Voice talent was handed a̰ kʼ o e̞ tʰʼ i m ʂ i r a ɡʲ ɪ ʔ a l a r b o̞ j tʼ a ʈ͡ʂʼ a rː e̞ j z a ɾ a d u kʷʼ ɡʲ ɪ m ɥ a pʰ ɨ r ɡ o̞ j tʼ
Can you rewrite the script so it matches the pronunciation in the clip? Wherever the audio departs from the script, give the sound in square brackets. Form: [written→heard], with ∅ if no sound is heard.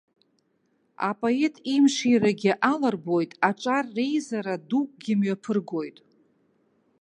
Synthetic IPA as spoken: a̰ [kʼ→pʼ] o e̞ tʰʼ i m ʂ i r a ɡʲ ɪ ʔ a l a r b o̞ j tʼ a ʈ͡ʂʼ a rː e̞ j z a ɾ a d u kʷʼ ɡʲ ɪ m ɥ a pʰ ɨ r ɡ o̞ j tʼ

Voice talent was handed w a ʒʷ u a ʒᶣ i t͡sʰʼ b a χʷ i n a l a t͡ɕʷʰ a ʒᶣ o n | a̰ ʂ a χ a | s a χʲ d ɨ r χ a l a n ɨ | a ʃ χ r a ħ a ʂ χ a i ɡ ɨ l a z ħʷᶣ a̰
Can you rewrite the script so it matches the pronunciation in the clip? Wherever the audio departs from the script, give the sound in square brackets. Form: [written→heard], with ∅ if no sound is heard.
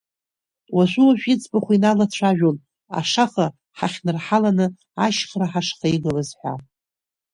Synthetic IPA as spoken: w a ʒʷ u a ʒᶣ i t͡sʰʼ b a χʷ i n a l a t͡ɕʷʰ a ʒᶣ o n | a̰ ʂ a χ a | [s→ħ] a χʲ [d→n] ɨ r [χ→ħ] a l a n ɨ | a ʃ χ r a ħ a ʂ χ a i ɡ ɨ l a z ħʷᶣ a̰

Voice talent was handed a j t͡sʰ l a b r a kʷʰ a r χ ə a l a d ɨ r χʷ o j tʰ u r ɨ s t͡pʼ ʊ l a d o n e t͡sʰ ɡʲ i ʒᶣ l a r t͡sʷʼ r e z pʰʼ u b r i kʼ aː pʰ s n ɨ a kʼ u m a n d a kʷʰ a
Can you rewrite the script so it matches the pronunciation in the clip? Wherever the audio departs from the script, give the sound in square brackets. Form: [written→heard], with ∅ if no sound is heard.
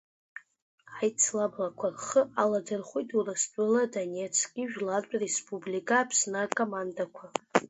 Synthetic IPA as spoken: a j t͡sʰ l a b [r→l] a kʷʰ a r χ ə a l a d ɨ r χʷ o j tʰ u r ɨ s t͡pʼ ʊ l a d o n e t͡sʰ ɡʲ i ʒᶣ l a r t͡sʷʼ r e [z→s] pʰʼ u b [r→l] i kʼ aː pʰ s n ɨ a kʼ [u→o] m a n d a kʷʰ a

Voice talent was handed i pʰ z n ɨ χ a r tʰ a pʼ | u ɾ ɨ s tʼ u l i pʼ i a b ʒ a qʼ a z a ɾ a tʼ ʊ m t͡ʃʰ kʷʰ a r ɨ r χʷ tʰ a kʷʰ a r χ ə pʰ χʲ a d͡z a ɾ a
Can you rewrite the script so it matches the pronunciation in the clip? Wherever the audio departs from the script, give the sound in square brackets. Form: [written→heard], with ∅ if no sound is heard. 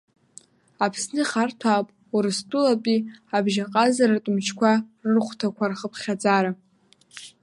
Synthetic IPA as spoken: [i→a] pʰ [z→s] n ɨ χ a r tʰ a pʼ | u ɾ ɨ s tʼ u l [i→a] pʼ i a b ʒ a qʼ a z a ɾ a tʼ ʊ m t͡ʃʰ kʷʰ a r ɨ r χʷ tʰ a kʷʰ a r χ ə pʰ χʲ a d͡z a ɾ a

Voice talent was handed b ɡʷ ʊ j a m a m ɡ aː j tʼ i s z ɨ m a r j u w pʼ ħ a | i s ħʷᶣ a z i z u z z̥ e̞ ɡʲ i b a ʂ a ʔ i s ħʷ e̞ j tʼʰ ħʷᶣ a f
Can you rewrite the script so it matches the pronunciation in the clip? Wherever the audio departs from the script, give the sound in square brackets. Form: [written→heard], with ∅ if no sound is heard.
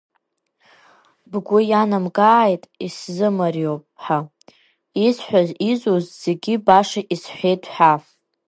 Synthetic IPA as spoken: b ɡʷ ʊ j a [m→n] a m ɡ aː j tʼ i s z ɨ m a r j [u→o] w pʼ ħ a | i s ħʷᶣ a z i z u z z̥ e̞ ɡʲ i b a ʂ a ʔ i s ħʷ e̞ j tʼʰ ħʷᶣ a f

